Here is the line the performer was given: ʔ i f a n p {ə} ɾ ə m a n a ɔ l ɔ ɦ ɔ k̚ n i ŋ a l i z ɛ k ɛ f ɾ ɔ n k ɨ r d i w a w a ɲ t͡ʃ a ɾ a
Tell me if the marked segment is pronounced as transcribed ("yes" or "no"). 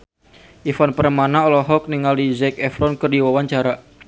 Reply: yes